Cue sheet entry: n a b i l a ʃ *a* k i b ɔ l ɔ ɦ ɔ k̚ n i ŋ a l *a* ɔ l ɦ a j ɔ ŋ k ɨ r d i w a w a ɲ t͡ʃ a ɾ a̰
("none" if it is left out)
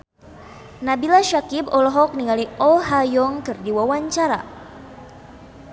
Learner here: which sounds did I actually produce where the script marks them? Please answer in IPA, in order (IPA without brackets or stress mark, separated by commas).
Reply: a, i